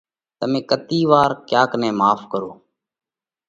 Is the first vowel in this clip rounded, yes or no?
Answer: no